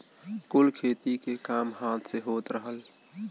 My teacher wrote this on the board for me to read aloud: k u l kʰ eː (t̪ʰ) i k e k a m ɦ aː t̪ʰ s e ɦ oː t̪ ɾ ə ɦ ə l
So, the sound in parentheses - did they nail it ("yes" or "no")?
no